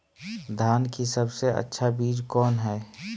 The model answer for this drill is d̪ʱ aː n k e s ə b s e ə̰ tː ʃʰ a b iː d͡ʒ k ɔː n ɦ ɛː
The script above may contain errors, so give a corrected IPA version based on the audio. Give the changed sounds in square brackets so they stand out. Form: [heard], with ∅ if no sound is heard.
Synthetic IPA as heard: d̪ʱ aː n k [i] s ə b s e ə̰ tː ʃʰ a b iː d͡ʒ k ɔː n ɦ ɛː